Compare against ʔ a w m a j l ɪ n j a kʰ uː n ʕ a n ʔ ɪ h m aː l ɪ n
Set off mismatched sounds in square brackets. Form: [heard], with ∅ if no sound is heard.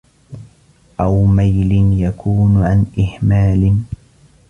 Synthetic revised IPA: ʔ a w m a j l ɪ n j a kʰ uː n ʕ a n ʔ ɪ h m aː l ɪ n